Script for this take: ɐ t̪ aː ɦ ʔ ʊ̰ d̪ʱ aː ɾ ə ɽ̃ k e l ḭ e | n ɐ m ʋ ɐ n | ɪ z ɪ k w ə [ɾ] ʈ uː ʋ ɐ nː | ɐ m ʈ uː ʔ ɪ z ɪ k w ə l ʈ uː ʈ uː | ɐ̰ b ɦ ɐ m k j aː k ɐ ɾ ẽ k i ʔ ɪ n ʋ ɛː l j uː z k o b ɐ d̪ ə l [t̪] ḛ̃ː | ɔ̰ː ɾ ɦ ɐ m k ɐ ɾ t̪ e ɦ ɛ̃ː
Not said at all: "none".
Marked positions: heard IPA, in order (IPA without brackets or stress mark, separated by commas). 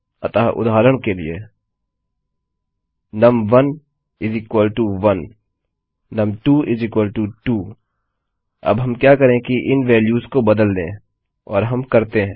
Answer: l, d̪